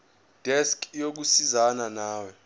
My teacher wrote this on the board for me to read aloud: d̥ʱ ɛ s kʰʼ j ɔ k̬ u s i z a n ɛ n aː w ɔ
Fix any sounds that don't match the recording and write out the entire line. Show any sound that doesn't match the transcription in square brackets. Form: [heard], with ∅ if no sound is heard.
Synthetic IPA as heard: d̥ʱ ɛ s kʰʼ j [o] k̬ u s i z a n [a] n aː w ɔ